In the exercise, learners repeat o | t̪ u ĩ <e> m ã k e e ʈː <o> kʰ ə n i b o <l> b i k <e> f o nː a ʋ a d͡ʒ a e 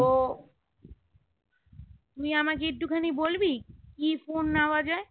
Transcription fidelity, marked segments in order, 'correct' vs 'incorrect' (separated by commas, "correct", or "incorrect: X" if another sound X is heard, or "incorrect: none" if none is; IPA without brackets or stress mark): incorrect: a, incorrect: u, correct, incorrect: i